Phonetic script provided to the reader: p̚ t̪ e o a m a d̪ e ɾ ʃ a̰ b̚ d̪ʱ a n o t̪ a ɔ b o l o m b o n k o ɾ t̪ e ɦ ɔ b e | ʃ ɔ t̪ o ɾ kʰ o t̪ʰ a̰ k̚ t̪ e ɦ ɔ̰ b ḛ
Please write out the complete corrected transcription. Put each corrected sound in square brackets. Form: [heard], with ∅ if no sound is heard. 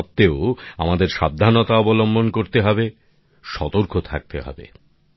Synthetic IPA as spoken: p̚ t̪ e o a m a d̪ e ɾ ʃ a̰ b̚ d̪ʱ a n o t̪ a ɔ b o l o m b o n k o ɾ t̪ e ɦ ɔ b e | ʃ ɔ t̪ o ɾ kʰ o t̪ʰ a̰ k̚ t̪ e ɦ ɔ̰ b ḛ